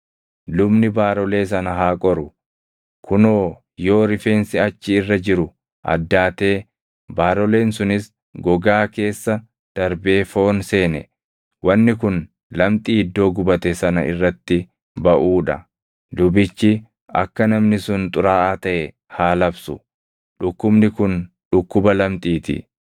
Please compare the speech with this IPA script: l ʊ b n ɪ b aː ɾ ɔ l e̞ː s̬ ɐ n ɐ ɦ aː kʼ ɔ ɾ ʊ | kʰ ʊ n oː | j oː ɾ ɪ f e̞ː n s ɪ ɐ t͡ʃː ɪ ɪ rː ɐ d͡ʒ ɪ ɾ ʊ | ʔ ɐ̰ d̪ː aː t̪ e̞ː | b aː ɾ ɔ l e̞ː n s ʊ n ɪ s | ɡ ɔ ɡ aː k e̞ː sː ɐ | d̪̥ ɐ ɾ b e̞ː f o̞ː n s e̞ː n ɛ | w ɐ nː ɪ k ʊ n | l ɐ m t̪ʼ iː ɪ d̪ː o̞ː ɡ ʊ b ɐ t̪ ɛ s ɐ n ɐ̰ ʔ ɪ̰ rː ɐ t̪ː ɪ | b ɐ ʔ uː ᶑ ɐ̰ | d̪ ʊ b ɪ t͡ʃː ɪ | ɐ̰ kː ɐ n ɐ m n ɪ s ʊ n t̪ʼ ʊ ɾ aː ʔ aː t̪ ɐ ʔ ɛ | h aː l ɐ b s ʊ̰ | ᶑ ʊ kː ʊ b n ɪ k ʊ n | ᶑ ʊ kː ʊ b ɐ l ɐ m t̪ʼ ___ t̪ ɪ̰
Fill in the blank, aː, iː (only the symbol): iː